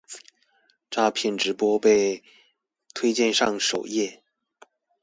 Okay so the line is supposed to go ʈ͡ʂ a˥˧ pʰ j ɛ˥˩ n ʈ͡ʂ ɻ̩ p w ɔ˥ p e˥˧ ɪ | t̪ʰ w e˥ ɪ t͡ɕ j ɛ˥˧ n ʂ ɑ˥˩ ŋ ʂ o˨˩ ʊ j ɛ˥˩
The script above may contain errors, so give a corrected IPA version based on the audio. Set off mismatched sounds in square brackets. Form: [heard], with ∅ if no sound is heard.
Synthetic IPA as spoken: ʈ͡ʂ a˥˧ pʰ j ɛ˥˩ n ʈ͡ʂ ɻ̩ p w ɔ˥ p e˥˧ ɪ | t̪ʰ w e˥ ɪ t͡ɕ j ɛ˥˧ n ʂ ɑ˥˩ ŋ ʂ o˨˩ ʊ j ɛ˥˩